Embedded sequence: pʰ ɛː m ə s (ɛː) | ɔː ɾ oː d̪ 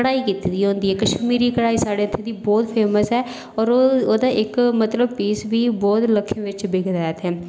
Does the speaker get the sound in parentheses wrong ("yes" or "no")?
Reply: no